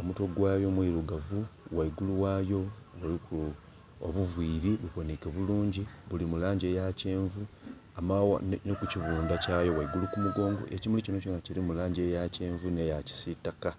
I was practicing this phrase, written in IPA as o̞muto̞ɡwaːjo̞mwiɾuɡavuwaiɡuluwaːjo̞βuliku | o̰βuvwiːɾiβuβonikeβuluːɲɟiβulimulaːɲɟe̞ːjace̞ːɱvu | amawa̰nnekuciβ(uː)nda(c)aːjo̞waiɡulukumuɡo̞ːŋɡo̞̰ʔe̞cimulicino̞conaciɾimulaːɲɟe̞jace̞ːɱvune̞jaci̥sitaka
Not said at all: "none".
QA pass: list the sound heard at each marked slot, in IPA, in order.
uː, c

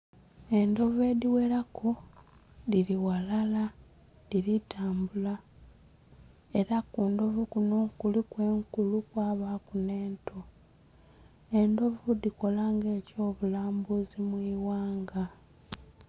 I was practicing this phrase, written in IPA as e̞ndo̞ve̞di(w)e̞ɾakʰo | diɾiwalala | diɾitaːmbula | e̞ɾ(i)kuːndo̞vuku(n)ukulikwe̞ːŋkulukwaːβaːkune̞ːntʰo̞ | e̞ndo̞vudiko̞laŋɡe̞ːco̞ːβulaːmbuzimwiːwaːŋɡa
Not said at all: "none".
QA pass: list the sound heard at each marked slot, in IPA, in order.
w, a, n

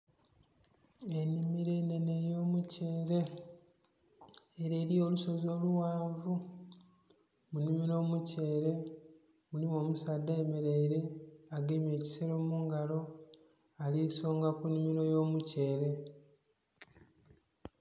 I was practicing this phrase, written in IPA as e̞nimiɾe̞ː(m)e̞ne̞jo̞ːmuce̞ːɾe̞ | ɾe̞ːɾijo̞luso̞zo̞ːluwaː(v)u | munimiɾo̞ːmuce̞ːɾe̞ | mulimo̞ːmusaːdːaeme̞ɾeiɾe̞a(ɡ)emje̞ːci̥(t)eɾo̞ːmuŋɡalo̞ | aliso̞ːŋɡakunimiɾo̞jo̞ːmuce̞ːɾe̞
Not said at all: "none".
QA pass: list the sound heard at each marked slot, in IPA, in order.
n, v, ɡ, s

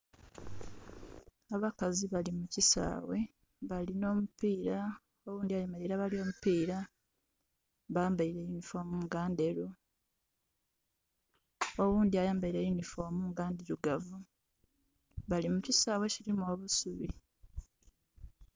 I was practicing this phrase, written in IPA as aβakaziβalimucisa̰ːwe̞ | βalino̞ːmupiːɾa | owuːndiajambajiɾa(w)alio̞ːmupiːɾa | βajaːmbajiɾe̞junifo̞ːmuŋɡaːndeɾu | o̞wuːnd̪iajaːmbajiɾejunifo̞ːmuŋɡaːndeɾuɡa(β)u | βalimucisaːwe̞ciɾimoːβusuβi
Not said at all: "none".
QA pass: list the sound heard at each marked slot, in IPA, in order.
β, v

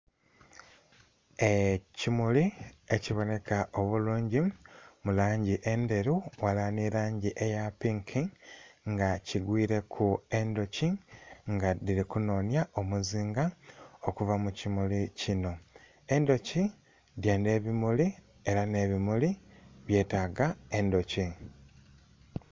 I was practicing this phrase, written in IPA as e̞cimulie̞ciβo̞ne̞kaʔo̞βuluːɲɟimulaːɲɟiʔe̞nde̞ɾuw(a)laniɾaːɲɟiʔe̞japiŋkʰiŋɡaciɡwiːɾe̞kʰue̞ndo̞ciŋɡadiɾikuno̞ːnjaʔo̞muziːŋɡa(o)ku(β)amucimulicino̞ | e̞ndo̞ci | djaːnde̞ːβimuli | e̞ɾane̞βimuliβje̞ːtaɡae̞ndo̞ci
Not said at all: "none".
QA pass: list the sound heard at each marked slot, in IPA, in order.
a, o, v

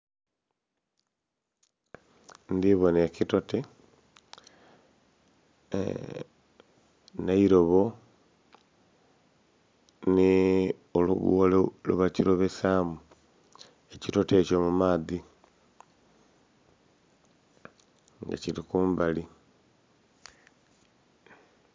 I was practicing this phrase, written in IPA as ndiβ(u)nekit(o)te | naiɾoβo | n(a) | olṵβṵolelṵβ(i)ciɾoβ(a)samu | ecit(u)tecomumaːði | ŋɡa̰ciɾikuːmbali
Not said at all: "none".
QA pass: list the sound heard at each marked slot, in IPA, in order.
o, o, i, a, e, o

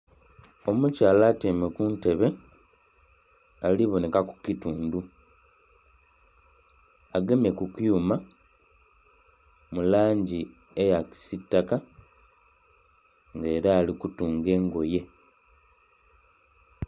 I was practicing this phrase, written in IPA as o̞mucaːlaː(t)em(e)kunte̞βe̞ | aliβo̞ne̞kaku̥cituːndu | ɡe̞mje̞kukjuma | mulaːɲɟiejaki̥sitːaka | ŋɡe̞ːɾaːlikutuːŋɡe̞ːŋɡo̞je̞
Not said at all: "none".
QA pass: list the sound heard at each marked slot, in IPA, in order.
t, e

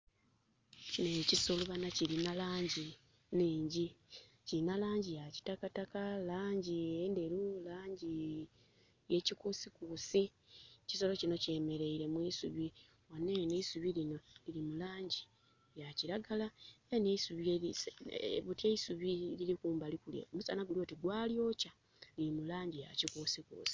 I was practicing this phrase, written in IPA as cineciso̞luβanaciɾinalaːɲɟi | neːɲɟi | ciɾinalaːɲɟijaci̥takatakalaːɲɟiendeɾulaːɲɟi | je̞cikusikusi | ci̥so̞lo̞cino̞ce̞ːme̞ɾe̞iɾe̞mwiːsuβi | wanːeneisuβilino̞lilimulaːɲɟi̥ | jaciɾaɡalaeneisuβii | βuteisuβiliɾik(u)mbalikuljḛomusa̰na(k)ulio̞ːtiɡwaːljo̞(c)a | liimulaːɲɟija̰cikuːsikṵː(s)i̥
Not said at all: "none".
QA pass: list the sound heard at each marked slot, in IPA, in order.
uː, ɡ, c, s

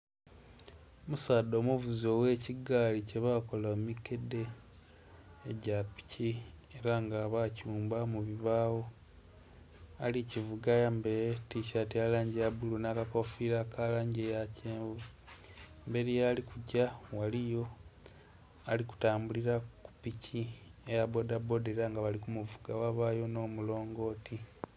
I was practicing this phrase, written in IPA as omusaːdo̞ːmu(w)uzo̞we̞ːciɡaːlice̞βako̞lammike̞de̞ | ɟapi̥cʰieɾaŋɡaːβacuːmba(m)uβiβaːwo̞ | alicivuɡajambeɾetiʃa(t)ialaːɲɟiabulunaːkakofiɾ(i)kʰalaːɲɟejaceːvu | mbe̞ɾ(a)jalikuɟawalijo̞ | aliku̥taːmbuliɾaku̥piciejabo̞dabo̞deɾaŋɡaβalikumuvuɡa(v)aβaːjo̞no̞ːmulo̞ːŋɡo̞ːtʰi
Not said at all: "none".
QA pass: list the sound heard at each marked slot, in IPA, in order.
v, m, t, a, i, w

